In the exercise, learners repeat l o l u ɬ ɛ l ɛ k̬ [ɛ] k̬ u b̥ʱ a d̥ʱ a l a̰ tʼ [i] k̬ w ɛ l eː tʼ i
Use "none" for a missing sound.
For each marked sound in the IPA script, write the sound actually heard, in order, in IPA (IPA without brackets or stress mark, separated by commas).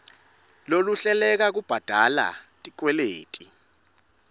a, i